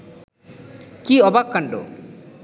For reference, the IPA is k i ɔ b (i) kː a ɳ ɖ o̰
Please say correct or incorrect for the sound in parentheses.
incorrect: a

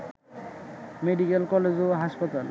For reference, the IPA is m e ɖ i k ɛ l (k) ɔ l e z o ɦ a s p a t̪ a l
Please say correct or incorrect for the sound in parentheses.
correct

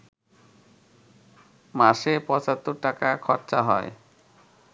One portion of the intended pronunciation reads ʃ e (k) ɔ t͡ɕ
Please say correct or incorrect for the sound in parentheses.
incorrect: p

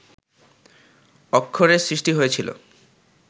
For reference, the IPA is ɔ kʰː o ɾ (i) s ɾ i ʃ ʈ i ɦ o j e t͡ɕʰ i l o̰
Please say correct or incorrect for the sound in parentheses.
incorrect: e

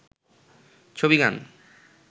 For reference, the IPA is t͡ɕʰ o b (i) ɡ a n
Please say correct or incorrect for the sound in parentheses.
correct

